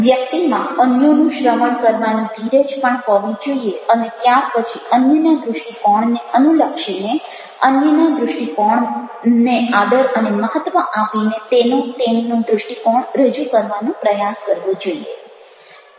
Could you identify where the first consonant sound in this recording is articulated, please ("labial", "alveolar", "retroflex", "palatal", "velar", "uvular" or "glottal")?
labial